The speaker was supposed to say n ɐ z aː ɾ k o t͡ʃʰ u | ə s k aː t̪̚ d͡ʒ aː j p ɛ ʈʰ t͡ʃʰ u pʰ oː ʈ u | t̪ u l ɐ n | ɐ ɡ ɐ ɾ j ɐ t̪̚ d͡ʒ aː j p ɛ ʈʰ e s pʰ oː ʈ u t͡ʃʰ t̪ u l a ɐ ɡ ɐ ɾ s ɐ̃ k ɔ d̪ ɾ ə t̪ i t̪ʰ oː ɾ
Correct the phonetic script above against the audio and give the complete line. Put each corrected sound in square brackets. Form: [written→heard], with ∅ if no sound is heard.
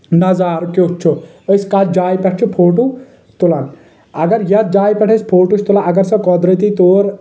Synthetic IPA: n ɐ z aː ɾ k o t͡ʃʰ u | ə s k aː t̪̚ d͡ʒ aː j p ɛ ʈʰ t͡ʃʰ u pʰ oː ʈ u | t̪ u l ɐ n | ɐ ɡ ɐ ɾ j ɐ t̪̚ d͡ʒ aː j p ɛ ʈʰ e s pʰ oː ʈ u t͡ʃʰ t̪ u l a ɐ ɡ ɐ ɾ s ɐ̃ k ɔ d̪ ɾ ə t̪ i [t̪ʰ→t̪] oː ɾ

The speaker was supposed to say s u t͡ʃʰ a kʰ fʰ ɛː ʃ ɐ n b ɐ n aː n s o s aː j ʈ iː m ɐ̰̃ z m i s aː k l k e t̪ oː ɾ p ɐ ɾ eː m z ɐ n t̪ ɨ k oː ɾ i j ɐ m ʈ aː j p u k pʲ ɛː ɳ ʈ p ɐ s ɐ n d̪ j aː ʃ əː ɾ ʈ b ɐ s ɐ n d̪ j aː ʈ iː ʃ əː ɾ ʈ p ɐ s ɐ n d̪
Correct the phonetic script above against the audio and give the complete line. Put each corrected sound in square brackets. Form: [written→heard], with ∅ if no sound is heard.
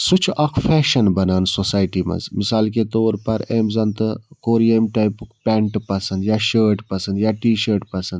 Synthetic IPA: s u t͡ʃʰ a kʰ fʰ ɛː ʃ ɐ n b ɐ n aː n s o s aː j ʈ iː m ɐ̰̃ z m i s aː [k→∅] l k e t̪ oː ɾ p ɐ ɾ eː m z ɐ n t̪ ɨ k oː ɾ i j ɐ m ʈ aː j p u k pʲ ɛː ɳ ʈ p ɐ s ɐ n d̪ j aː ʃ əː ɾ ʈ [b→p] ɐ s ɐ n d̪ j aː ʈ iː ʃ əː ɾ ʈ p ɐ s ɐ n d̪

